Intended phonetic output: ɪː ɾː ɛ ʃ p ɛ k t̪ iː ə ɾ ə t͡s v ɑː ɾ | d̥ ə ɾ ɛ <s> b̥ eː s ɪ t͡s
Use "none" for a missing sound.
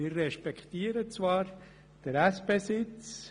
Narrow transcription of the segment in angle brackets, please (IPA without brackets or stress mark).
s